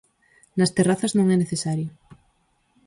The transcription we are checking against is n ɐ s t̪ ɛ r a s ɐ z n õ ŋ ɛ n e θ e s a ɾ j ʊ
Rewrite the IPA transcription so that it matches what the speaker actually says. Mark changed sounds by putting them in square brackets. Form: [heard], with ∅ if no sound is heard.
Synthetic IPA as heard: n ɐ s t̪ [e] r a [θ] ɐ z n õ ŋ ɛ n e θ e s a ɾ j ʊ